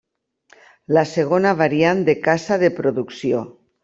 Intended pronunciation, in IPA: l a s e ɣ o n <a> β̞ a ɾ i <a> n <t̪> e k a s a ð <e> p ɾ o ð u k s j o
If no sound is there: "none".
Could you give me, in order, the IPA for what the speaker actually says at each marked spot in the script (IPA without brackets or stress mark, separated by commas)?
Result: a, a, d̪, e